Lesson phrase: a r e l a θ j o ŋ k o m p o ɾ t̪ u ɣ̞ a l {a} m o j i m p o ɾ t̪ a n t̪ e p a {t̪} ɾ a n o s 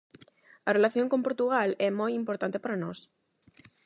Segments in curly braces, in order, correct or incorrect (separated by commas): incorrect, incorrect